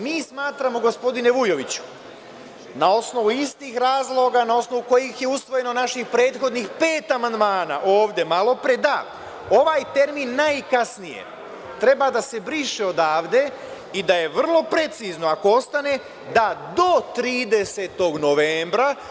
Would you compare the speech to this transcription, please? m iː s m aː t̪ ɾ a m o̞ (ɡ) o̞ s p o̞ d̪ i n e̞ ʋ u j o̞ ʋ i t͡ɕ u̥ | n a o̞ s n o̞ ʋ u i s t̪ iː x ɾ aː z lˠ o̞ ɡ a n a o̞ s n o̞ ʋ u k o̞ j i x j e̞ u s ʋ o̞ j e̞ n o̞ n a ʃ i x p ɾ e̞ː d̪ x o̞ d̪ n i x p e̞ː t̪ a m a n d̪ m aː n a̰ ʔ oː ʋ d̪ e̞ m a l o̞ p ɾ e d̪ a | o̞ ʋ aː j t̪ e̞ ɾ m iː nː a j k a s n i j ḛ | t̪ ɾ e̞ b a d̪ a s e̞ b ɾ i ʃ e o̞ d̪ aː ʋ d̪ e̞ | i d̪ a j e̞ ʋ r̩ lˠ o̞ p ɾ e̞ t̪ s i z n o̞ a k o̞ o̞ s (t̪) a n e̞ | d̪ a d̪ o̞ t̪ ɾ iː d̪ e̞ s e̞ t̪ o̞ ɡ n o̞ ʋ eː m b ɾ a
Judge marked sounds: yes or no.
yes, yes

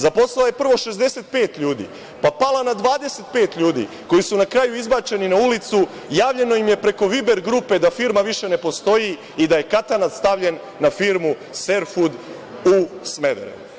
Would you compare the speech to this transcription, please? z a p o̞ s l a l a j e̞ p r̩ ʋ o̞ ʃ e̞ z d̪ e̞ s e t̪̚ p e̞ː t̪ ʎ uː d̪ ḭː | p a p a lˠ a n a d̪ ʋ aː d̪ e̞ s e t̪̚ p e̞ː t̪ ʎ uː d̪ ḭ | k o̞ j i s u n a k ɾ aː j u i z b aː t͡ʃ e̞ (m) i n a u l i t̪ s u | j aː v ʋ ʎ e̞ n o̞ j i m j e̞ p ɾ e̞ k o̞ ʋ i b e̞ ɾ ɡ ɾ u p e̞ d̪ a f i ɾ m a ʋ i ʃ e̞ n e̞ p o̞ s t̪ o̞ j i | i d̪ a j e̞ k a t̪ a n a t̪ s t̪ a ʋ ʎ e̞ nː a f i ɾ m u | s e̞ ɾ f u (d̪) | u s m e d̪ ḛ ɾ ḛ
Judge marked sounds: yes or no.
no, yes

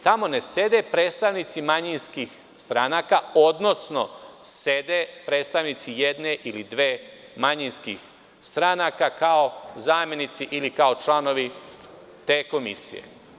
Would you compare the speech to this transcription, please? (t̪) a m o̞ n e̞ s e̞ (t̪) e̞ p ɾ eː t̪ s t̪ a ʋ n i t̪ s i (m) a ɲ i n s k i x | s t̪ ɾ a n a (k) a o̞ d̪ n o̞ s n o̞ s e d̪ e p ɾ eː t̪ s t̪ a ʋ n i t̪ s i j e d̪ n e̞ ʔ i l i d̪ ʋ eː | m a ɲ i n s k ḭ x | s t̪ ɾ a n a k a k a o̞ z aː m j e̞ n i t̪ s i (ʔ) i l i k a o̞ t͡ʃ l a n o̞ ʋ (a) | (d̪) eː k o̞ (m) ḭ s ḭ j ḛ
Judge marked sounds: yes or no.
yes, no, yes, yes, yes, no, no, yes

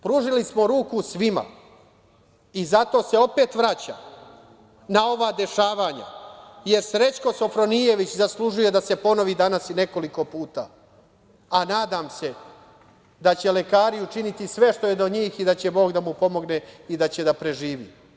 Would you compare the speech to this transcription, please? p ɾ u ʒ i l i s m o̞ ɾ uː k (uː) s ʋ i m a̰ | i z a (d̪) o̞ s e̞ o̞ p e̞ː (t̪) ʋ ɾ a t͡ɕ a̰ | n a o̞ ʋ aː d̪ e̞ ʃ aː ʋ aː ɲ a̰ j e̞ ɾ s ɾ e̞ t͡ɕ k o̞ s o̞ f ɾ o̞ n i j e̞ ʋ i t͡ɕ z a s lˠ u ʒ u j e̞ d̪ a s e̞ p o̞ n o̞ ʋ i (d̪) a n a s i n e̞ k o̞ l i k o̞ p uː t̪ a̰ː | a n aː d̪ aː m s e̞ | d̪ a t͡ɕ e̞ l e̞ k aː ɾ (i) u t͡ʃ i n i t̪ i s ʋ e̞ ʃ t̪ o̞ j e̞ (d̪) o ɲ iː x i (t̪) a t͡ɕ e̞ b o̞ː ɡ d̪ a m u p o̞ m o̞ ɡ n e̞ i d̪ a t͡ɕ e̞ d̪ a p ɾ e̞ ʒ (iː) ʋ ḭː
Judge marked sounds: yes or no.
no, no, yes, yes, yes, yes, no, yes

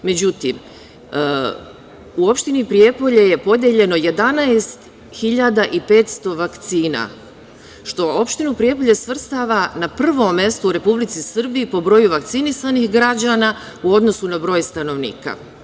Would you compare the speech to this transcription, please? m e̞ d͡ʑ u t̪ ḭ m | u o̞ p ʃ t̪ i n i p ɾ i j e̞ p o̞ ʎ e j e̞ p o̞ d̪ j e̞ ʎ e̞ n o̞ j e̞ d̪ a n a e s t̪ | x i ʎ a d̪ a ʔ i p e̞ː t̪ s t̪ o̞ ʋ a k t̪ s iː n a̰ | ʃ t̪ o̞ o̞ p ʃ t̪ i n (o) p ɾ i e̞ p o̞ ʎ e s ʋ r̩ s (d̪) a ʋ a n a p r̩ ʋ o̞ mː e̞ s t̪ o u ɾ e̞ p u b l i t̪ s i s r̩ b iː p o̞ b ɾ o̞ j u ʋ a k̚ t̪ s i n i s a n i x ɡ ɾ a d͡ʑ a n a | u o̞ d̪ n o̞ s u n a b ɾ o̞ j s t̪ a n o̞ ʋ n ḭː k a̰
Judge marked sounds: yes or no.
no, no

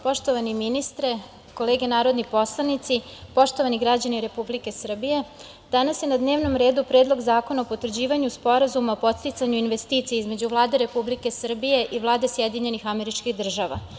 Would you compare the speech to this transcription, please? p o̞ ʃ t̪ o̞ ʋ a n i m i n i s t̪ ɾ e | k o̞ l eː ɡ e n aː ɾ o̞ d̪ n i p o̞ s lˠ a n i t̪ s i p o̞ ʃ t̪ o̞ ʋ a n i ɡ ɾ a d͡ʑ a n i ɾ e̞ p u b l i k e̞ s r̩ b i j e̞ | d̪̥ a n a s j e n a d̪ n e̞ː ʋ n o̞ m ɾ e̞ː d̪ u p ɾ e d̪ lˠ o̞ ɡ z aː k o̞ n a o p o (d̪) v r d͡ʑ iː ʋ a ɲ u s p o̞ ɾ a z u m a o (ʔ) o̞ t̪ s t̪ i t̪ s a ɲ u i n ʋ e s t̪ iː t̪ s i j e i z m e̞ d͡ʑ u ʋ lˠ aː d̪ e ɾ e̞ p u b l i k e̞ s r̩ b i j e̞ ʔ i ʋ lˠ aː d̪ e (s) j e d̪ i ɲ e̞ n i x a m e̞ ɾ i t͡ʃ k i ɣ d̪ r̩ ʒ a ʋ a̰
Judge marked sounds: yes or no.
no, no, yes

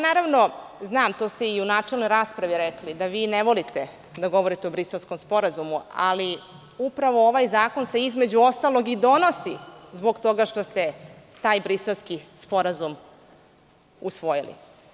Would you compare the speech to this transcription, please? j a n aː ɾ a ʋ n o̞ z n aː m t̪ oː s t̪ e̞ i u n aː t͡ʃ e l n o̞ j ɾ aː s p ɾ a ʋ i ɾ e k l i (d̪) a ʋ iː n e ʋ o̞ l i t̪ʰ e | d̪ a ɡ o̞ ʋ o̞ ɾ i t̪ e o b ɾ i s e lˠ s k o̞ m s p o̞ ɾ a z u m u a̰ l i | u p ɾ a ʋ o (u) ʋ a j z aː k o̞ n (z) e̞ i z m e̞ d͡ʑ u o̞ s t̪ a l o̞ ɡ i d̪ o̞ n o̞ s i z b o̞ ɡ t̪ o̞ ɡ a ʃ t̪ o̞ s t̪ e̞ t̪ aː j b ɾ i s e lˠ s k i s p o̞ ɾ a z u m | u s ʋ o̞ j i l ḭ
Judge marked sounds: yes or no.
yes, no, no

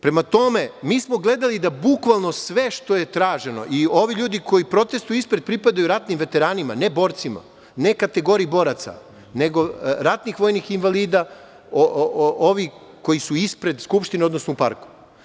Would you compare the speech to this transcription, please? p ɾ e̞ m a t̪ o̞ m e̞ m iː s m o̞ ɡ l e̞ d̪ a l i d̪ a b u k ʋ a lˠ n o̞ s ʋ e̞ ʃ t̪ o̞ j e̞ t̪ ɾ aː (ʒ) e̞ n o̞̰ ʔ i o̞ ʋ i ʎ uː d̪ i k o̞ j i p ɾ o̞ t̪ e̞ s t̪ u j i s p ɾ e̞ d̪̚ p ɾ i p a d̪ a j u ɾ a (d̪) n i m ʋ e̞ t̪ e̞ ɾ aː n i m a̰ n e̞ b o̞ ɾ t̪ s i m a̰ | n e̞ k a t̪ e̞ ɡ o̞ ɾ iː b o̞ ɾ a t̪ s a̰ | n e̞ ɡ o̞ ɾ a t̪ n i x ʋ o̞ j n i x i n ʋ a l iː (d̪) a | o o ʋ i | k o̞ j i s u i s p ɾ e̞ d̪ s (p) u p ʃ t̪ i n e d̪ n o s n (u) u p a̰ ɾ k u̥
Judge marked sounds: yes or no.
yes, no, yes, no, no

